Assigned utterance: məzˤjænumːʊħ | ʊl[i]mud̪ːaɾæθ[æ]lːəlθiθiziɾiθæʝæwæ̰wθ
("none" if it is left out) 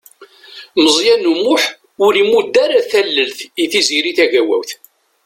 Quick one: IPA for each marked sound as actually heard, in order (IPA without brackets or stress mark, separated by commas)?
i, æ